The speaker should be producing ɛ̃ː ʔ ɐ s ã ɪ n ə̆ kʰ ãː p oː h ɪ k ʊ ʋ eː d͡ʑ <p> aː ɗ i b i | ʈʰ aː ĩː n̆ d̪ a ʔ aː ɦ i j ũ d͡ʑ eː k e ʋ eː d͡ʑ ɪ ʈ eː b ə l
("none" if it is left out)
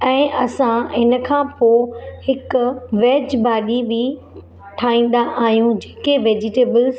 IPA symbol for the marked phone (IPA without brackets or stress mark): b